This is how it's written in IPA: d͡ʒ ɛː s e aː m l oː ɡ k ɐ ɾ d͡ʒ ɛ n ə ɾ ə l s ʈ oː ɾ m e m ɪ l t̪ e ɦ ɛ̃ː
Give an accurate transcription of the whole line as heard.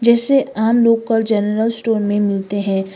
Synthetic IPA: d͡ʒ ɛː s e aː m l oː ɡ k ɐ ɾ d͡ʒ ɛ n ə ɾ ə l s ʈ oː ɾ m ẽ m ɪ l t̪ e ɦ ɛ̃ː